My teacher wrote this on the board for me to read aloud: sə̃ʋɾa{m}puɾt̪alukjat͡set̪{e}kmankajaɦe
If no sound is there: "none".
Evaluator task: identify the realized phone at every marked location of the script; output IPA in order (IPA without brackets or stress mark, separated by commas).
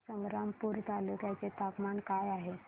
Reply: m, a